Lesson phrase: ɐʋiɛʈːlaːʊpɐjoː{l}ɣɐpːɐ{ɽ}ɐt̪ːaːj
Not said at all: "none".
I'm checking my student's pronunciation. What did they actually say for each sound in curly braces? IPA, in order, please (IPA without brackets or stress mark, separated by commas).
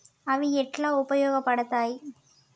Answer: none, ɽ